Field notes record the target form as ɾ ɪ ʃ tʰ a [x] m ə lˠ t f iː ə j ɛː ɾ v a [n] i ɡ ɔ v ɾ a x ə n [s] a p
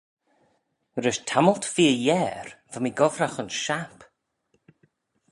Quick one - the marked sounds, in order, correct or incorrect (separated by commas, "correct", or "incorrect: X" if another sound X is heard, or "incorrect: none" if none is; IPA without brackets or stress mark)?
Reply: incorrect: none, incorrect: m, incorrect: ʃ